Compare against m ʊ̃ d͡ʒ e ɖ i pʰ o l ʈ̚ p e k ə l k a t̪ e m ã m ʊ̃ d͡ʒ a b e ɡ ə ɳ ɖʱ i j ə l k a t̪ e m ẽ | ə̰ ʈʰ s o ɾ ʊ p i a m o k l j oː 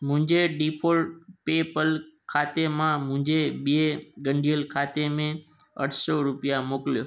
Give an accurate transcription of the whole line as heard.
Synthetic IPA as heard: m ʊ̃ d͡ʒ e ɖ i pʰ o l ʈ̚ p e p ə l kʰ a t̪ e m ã m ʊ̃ d͡ʒ e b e ɡ ə ɳ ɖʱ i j ə l kʰ a t̪ e m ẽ | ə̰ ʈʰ s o ɾ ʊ p j a m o k l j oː